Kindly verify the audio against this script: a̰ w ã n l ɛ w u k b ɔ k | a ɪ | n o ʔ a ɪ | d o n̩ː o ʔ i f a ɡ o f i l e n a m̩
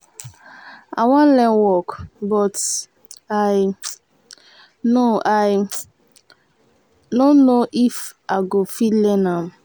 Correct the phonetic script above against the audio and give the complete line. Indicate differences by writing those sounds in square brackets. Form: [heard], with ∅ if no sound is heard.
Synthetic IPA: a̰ w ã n l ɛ w [ɔ] k b ɔ [t] | a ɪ | n o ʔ a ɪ | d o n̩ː o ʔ i f a ɡ o f i l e n a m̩